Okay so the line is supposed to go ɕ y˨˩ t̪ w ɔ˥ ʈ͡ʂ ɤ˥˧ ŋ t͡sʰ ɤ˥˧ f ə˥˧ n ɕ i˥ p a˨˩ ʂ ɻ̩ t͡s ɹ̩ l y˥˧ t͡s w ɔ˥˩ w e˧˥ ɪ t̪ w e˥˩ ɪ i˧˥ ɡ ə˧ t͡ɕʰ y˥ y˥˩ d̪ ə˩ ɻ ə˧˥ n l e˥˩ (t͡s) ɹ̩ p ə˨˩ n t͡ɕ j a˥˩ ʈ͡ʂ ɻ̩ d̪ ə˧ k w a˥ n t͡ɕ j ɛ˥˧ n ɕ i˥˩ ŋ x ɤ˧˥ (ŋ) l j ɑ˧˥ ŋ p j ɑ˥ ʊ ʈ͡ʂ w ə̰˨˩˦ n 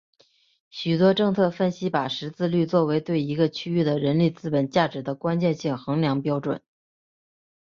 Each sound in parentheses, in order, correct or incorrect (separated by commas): correct, correct